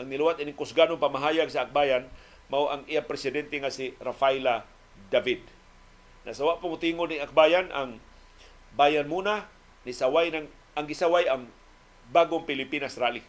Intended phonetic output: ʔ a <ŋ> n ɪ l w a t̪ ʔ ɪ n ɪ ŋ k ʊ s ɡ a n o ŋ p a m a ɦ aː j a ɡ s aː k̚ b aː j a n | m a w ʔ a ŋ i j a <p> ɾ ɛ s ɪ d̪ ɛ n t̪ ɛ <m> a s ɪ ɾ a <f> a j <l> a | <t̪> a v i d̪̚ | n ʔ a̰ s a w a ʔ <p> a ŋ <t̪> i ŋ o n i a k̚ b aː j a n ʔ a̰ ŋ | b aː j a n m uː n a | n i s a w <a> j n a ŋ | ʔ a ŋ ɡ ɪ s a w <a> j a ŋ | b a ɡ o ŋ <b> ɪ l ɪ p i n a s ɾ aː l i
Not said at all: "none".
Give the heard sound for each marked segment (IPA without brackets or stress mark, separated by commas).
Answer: ŋ, p, ŋ, f, l, d̪, p, t̪, a, a, p